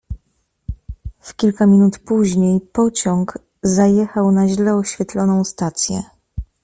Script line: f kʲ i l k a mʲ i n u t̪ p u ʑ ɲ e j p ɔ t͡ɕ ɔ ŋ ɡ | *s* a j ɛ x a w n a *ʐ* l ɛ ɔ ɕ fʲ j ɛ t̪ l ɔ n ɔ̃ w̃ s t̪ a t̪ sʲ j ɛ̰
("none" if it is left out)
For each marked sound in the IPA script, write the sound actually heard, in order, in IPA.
z, ʑ

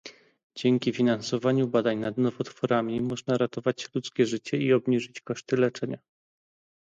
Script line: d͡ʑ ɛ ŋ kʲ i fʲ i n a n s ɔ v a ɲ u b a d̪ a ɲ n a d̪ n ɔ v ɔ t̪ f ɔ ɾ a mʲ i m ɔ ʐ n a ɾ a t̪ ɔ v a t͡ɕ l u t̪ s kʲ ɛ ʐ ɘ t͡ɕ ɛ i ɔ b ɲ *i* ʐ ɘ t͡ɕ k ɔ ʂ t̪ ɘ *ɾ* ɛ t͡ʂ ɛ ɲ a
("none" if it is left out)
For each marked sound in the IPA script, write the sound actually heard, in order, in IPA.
i, l

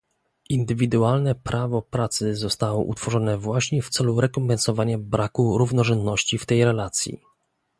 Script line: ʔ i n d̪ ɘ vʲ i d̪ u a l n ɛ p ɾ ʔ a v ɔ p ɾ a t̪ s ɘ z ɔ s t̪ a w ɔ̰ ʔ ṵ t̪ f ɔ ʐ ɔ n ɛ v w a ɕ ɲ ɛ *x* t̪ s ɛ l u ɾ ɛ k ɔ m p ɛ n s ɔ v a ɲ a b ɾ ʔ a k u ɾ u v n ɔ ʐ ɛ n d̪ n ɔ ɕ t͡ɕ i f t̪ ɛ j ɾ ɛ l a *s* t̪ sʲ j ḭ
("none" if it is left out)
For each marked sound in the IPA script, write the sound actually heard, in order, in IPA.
f, none

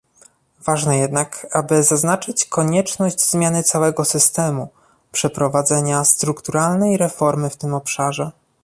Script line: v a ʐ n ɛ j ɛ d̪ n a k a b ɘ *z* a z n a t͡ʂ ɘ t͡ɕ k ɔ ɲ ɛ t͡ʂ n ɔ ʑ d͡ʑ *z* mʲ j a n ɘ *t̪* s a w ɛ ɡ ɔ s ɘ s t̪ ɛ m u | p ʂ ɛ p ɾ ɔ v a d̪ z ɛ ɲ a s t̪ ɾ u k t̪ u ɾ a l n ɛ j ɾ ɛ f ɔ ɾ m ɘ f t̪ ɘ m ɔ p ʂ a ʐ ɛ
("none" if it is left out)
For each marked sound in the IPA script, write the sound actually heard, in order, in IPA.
z, z, t̪

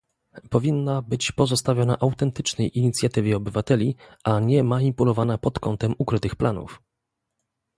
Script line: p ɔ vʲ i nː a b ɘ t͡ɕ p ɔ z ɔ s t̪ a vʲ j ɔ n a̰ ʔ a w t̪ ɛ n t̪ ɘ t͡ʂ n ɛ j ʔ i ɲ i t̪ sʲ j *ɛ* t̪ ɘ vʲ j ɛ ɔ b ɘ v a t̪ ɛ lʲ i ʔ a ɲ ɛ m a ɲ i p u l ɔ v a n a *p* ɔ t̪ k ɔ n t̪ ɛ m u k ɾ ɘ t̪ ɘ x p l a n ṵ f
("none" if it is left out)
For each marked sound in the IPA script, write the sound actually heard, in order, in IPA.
a, p

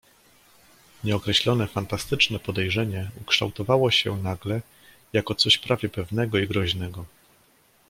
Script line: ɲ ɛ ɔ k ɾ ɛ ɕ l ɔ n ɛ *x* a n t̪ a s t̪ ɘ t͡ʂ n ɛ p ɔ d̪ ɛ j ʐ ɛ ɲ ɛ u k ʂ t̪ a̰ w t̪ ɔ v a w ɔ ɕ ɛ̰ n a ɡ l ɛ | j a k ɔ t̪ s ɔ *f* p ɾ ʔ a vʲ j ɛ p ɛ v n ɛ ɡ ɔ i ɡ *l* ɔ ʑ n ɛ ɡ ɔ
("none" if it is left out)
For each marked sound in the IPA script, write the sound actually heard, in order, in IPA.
f, ɕ, ɾ

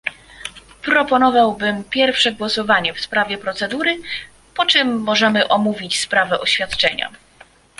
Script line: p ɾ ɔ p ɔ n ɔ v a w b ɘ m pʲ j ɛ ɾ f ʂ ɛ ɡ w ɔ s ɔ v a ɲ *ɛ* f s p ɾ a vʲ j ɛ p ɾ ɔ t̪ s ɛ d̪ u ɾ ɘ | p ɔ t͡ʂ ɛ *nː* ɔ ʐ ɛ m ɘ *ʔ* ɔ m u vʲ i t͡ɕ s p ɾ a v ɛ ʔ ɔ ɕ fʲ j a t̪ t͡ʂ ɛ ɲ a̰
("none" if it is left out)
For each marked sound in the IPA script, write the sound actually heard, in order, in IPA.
ɛ, mː, ʔ

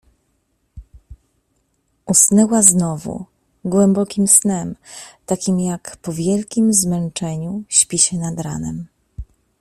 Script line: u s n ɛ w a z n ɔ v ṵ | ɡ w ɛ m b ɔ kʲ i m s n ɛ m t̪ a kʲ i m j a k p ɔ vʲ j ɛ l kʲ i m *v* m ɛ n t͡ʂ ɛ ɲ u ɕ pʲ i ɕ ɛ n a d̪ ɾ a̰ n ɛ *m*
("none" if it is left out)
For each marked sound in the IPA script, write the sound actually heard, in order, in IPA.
z, m

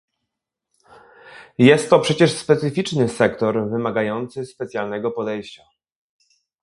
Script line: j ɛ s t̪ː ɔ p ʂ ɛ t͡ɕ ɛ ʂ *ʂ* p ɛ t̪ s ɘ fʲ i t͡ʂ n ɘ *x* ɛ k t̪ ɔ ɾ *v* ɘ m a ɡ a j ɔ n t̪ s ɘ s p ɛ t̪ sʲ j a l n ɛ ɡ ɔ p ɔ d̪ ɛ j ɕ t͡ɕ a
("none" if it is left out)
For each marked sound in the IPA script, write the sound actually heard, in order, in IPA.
s, s, v

